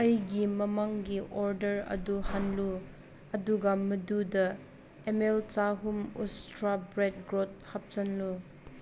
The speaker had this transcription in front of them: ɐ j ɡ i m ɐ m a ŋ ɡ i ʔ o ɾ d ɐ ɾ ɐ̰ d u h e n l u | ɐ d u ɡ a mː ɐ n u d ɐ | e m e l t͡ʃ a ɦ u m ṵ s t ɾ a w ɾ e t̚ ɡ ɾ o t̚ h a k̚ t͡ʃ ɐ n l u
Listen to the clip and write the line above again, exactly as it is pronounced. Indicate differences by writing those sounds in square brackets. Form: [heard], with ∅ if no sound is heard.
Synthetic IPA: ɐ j ɡ i m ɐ m a ŋ ɡ i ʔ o ɾ d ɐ ɾ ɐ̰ d u h [a] n l u | ɐ d u ɡ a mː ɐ [d] u d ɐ | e m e l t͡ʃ a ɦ u m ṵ s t ɾ a [b] ɾ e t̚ ɡ ɾ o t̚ h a [p̚] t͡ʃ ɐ n l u